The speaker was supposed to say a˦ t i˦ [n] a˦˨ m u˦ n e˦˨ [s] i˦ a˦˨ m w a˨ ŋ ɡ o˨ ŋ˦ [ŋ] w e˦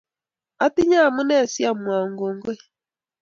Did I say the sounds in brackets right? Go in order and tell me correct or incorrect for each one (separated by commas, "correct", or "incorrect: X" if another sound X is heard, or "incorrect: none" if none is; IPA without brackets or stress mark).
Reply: incorrect: ɲ, correct, incorrect: ɡ